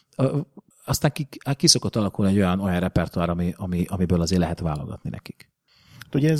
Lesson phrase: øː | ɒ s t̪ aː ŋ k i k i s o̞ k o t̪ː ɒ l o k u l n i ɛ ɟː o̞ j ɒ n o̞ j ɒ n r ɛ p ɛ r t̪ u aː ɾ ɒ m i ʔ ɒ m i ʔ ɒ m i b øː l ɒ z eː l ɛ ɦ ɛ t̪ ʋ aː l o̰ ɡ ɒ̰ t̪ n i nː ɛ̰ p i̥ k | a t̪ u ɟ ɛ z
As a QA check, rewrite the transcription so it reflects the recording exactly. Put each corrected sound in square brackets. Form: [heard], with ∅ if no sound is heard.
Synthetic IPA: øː | ɒ s t̪ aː ŋ k i k i s o̞ k o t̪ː ɒ l [ɒ] k u l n i ɛ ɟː o̞ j ɒ n o̞ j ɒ n r ɛ p ɛ r t̪ u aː ɾ ɒ m i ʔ ɒ m i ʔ ɒ m i b øː l ɒ z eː l ɛ ɦ ɛ t̪ ʋ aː l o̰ ɡ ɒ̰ t̪ n i [n] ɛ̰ [k] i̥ k | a t̪ u ɟ ɛ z